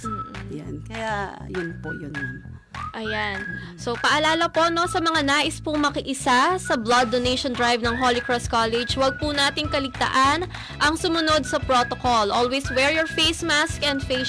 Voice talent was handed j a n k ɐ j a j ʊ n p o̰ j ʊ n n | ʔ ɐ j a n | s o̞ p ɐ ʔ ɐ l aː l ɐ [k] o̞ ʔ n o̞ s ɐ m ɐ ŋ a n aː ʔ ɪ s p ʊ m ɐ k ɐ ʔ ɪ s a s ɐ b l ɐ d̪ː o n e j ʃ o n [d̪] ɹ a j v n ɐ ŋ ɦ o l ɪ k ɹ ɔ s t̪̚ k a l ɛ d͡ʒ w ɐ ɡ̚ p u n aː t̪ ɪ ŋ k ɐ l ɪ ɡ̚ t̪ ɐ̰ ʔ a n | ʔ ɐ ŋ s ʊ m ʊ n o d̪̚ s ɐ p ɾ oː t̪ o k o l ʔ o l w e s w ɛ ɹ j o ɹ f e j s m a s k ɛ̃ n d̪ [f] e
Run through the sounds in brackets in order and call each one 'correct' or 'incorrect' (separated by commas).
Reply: incorrect, correct, correct